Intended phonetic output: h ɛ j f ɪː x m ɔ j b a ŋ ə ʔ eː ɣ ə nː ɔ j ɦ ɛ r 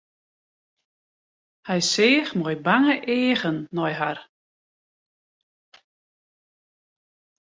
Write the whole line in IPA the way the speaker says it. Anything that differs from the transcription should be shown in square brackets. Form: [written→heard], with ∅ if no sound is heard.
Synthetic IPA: h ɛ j [f→s] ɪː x m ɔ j b a ŋ ə ʔ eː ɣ ə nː ɔ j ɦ [ɛ→a] r